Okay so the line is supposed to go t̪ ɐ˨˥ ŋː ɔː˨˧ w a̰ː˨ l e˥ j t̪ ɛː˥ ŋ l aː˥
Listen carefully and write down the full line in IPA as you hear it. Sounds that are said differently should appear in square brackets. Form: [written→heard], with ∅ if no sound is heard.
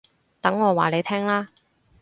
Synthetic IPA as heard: t̪ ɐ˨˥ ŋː ɔː˨˧ w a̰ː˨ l [e˥→e˨˧] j [t̪→t̪ʰ] ɛː˥ ŋ l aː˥